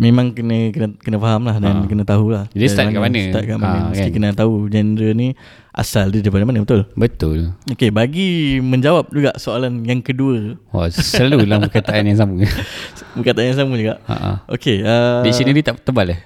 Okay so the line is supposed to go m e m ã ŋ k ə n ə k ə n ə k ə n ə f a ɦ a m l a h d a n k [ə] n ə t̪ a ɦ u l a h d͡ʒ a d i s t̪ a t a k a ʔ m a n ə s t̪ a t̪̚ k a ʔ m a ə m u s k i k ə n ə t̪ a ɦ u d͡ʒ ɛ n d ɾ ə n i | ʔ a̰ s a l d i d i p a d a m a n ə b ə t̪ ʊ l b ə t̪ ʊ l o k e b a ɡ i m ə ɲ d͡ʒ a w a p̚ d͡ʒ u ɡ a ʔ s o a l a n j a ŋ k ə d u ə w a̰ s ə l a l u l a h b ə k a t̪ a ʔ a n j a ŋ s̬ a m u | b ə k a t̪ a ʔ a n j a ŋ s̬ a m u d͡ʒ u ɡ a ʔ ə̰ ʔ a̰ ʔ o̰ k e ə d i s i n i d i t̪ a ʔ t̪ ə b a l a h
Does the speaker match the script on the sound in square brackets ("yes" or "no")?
yes